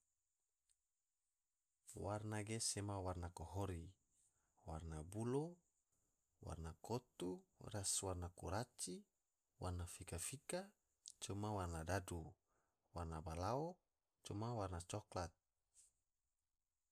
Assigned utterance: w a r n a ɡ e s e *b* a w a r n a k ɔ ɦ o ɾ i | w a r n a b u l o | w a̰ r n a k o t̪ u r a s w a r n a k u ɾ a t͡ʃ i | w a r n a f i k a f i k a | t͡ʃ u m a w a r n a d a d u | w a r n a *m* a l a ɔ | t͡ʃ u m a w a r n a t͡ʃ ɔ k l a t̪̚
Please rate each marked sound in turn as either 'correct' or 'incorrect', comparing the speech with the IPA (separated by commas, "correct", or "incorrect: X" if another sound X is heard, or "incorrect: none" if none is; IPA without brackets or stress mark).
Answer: incorrect: m, incorrect: b